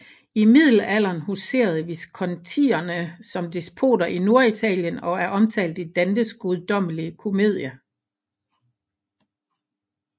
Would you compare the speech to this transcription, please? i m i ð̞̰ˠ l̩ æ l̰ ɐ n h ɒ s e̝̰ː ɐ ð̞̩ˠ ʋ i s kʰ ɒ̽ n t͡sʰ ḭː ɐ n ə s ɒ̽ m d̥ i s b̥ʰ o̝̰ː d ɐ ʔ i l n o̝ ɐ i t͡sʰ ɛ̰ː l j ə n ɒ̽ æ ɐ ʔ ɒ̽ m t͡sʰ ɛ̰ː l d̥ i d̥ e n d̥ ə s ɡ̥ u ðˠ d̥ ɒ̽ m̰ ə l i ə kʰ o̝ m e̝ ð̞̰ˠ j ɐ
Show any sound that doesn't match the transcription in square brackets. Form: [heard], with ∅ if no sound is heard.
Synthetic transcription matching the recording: i m i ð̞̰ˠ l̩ æ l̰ ɐ n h [u] s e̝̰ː ɐ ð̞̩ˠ ʋ i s kʰ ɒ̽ n t͡sʰ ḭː ɐ n ə s ɒ̽ m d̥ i s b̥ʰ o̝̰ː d ɐ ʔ i [∅] n o̝ ɐ i t͡sʰ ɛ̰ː l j ə n ɒ̽ æ ɐ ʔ ɒ̽ m t͡sʰ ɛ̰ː l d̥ i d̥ [æ] n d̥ ə s ɡ̥ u ðˠ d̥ ɒ̽ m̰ ə l i ə kʰ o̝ m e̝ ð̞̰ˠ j ɐ

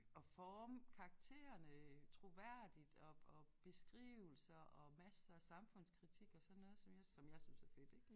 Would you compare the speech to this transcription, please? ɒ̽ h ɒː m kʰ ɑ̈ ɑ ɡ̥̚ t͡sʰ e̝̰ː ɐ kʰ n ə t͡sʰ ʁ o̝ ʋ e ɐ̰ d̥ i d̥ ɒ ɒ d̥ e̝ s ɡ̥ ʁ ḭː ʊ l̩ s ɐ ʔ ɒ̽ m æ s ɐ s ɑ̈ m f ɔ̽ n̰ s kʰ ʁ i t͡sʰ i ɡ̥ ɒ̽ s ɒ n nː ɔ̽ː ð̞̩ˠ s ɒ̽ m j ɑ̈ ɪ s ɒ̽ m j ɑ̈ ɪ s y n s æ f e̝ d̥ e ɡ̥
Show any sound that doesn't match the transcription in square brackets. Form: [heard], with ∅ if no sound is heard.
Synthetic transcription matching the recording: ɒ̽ [f] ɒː m kʰ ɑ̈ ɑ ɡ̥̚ t͡sʰ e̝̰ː ɐ [∅] n ə t͡sʰ ʁ o̝ ʋ [æ] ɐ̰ d̥ i d̥ ɒ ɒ [b̥] e̝ s ɡ̥ ʁ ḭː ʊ l̩ s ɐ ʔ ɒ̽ m æ s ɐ s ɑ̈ m f ɔ̽ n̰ s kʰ ʁ i t͡sʰ i ɡ̥ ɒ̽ s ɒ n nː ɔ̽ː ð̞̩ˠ s ɒ̽ m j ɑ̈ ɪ s ɒ̽ m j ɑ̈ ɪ s y n s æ f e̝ d̥ e ɡ̥

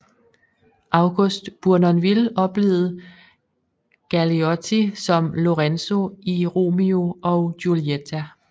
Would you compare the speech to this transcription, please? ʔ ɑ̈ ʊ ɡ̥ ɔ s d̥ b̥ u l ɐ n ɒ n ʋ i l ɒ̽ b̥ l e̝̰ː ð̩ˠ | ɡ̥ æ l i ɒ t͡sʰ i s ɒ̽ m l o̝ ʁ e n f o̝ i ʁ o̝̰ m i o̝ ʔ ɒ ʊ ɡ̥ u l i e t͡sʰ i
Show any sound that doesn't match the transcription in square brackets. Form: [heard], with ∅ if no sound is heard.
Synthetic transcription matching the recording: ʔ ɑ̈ ʊ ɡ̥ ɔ s d̥ b̥ u [∅] ɐ n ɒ n ʋ i l ɒ̽ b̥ l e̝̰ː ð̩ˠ | ɡ̥ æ l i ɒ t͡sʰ i s ɒ̽ m l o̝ ʁ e n [s] o̝ i ʁ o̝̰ m i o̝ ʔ ɒ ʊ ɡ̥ u l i e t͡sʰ [æ]

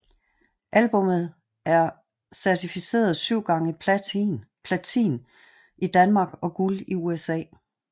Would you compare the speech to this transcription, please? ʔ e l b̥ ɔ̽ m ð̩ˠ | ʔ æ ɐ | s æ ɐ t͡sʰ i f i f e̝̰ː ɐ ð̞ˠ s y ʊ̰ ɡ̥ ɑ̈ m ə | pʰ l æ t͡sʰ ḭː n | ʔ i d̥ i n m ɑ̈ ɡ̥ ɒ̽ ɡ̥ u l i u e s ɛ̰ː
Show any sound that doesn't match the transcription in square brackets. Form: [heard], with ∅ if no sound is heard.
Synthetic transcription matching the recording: ʔ [æ] l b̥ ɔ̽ m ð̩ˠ | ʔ æ ɐ | s æ ɐ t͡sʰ i f i [s] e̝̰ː ɐ ð̞ˠ s y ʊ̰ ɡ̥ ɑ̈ [ŋ] ə | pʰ l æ t͡sʰ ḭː n | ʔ i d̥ [æ] n m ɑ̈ ɡ̥ ɒ̽ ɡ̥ u l i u e s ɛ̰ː

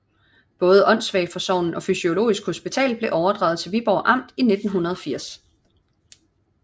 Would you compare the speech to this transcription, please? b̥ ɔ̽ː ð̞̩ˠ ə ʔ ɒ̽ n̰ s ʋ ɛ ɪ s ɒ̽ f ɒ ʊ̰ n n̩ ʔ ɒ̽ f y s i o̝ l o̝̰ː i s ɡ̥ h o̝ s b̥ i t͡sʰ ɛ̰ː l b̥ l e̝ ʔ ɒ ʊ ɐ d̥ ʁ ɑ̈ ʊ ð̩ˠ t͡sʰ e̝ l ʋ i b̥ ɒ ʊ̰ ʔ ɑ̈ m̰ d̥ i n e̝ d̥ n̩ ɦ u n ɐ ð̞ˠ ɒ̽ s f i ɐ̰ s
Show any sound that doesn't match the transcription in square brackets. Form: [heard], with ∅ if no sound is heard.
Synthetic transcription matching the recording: b̥ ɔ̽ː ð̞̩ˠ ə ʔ ɒ̽ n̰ s ʋ ɛ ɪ [f] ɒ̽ [s] ɒ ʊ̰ n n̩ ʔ ɒ̽ f y s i o̝ l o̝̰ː i s ɡ̥ h o̝ s b̥ i t͡sʰ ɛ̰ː l b̥ l e̝ ʔ ɒ ʊ ɐ d̥ ʁ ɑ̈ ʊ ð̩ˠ t͡sʰ e̝ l ʋ i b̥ ɒ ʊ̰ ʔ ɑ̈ m̰ d̥ i n e̝ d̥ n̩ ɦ u n ɐ ð̞ˠ ɒ̽ [∅] f i ɐ̰ s

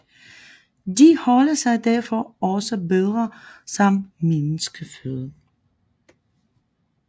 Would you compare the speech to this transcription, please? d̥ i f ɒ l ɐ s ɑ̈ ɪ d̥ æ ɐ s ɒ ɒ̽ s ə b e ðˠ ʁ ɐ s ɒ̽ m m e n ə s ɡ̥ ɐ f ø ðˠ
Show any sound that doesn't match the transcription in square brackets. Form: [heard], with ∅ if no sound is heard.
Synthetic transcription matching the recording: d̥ i [h] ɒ l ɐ s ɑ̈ ɪ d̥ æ ɐ [f] ɒ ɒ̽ s ə b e ðˠ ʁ ɐ s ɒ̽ m m e n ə s ɡ̥ [ə] f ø ðˠ

